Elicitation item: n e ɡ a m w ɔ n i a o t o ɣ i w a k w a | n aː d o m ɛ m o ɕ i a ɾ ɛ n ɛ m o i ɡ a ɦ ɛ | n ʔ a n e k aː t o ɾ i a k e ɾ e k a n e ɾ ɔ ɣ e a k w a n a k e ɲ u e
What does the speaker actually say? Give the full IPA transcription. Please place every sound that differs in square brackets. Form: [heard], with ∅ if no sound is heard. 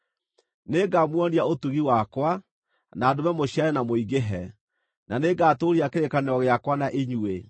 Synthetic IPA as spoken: n e ɡ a m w ɔ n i a o t [u] ɣ i w a k w a | n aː d o m ɛ m o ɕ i a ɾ ɛ n [a] m o i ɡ [e] ɦ ɛ | n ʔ a n e [ɡ] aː t o ɾ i a k e ɾ e k a n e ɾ ɔ ɣ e a k w a n a [ʔ] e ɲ u e